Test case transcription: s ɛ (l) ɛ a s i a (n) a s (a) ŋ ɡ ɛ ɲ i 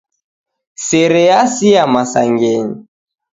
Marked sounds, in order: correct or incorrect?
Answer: incorrect: ɾ, incorrect: m, correct

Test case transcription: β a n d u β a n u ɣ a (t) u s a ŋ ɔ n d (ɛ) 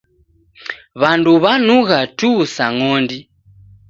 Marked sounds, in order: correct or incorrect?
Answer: correct, incorrect: i

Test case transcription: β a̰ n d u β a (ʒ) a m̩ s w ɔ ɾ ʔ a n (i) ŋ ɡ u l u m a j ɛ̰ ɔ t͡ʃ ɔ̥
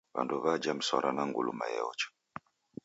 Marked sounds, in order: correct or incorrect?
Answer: incorrect: d͡ʒ, incorrect: a

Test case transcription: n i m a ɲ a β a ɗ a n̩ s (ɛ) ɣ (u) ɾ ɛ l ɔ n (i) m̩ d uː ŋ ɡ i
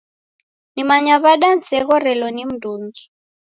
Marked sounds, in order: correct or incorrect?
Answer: correct, incorrect: ɔ, correct

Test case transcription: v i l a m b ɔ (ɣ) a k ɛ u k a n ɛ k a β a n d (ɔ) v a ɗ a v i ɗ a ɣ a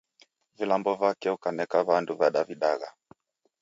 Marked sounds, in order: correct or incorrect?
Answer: incorrect: v, incorrect: u

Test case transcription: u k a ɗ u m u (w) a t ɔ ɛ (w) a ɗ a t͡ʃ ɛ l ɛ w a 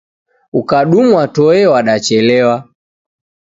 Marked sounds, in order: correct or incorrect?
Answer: correct, correct

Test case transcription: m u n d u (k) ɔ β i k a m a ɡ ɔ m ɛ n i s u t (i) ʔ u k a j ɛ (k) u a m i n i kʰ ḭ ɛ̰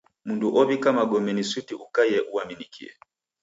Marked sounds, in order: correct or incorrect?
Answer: incorrect: ʔ, correct, incorrect: ʔ

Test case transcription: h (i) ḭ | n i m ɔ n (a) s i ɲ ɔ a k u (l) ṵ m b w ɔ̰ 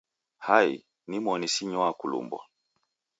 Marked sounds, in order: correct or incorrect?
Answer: incorrect: a, incorrect: i, correct

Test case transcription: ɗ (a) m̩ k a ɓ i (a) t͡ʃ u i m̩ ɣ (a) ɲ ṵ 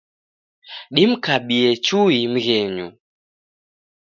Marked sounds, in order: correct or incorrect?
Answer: incorrect: i, incorrect: ɛ, incorrect: ɛ

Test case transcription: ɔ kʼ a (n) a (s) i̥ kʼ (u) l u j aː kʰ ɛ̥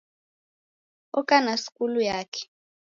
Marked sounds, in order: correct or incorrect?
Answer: correct, correct, correct

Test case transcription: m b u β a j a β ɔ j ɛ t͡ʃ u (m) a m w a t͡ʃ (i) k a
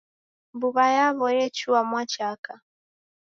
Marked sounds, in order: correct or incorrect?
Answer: incorrect: none, incorrect: a

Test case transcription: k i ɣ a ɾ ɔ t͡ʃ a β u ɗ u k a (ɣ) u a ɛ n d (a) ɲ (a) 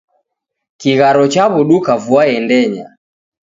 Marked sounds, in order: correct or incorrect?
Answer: incorrect: v, incorrect: ɛ, correct

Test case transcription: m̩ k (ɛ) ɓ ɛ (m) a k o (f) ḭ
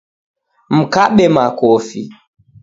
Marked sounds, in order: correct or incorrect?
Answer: incorrect: a, correct, correct

